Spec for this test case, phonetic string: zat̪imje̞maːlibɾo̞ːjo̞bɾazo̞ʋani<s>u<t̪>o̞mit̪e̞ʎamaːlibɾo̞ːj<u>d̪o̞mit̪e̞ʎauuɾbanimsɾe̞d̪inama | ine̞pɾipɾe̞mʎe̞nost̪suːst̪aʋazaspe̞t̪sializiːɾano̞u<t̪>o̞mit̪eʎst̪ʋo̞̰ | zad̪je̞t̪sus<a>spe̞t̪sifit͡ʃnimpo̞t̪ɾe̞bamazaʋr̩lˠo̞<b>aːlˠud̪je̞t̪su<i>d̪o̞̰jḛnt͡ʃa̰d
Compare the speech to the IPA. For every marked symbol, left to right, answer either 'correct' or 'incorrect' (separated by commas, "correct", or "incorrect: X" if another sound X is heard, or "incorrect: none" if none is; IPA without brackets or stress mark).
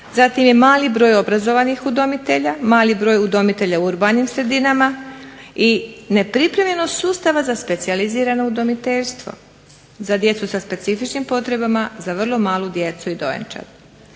incorrect: x, incorrect: d̪, correct, incorrect: d̪, correct, incorrect: m, correct